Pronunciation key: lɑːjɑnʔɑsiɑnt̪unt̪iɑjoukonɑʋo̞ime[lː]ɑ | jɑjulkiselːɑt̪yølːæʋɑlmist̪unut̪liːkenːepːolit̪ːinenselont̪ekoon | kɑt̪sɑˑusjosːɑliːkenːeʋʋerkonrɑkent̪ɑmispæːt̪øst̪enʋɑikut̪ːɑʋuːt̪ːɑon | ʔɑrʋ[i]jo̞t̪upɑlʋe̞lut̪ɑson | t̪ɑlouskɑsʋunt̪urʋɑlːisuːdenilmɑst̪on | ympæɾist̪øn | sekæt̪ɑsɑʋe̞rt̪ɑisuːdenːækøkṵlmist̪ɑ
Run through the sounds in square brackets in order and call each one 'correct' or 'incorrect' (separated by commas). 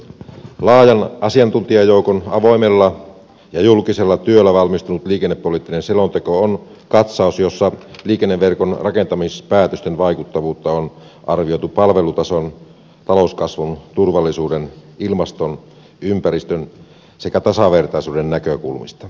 correct, correct